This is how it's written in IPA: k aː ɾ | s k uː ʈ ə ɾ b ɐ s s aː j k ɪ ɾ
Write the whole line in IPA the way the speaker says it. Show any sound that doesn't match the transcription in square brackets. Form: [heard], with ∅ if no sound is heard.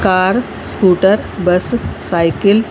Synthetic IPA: k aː ɾ | s k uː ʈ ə ɾ b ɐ s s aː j k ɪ [l]